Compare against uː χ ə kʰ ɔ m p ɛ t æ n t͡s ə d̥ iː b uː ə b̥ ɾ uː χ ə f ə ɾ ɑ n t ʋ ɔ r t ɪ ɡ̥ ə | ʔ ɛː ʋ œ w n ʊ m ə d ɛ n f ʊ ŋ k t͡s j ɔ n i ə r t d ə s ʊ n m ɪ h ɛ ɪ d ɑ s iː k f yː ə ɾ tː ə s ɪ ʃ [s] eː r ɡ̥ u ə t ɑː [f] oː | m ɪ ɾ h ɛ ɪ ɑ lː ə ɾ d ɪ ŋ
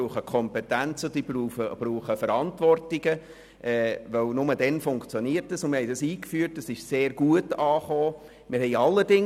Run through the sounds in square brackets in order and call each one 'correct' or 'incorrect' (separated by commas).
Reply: correct, incorrect